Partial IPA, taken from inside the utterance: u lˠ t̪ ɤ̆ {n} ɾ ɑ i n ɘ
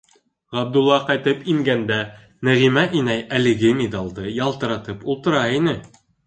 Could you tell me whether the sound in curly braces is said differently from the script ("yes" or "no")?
yes